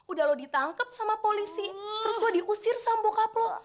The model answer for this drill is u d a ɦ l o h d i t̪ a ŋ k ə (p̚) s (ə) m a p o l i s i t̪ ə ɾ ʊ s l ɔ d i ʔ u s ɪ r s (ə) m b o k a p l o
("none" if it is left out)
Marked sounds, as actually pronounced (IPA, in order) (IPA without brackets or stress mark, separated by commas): p̚, a, a